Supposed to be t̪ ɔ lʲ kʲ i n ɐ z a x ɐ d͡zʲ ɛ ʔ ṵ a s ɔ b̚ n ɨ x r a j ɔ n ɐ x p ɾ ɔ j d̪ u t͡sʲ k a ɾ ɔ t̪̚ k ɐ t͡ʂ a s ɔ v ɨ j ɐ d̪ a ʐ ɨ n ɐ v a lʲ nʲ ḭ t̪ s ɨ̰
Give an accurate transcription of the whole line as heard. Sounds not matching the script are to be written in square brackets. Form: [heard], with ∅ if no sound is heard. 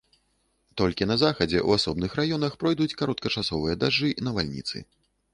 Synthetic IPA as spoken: t̪ ɔ lʲ kʲ i n ɐ z a x ɐ d͡zʲ ɛ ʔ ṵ a s ɔ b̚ n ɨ x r a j ɔ n ɐ x p ɾ ɔ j d̪ u t͡sʲ k a ɾ ɔ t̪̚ k ɐ t͡ʂ a s ɔ v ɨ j ɐ d̪ a ʐ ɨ n ɐ v a lʲ nʲ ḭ t̪ s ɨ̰